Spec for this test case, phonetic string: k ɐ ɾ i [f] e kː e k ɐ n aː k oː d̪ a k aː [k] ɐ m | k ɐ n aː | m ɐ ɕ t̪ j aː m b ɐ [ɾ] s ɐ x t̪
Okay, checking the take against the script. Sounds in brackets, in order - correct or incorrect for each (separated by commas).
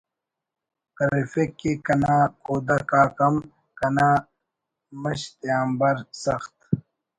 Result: correct, correct, correct